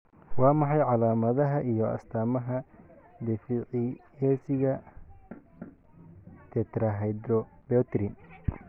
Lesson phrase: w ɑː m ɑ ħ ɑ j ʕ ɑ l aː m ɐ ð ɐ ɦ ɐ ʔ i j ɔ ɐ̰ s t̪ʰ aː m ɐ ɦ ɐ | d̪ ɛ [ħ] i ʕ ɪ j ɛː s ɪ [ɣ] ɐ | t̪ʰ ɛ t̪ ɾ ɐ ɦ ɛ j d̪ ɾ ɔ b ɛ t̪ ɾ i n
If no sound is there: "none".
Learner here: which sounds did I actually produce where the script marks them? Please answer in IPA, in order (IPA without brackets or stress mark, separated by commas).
f, ɣ